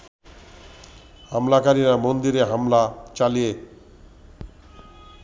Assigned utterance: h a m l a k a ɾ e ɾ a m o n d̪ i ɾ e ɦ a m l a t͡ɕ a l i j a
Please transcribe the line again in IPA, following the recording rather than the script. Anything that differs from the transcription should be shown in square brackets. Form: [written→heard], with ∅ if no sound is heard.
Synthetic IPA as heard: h a m l a k a ɾ [e→i] ɾ a m o n d̪ i ɾ e ɦ a m l a t͡ɕ a l i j [a→e]